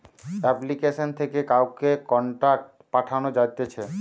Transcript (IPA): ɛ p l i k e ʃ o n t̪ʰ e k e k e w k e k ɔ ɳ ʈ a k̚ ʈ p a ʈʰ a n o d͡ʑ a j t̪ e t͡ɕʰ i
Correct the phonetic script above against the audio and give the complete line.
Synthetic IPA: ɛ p l i k e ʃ o n t̪ʰ e k e k a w k e k ɔ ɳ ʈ a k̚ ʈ p a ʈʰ a n o d͡ʑ a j t̪ e t͡ɕʰ e